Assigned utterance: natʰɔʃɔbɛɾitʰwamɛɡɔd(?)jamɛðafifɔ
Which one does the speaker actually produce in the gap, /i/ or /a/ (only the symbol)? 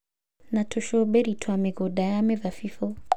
a